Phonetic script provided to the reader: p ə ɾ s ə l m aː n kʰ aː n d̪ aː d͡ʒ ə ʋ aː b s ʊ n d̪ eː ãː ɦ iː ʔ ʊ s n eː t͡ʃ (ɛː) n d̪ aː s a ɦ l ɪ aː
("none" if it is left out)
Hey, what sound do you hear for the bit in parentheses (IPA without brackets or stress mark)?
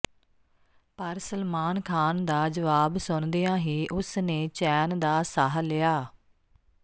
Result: ɛː